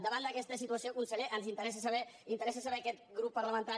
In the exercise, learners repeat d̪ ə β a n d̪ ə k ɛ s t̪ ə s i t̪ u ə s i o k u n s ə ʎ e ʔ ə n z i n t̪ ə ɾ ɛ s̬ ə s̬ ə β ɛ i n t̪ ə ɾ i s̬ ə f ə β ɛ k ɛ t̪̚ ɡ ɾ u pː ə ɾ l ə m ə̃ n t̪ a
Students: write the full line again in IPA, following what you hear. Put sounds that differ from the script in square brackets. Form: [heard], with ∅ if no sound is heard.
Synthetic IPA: d̪ ə β a n d̪ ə k ɛ s t̪ ə s i t̪ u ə s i o k u n s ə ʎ e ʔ ə n z i n t̪ ə ɾ ɛ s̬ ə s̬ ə β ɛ i n t̪ ə ɾ [ɛ] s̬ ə [s] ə β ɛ k ɛ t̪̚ ɡ ɾ u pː ə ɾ l ə m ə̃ n t̪ a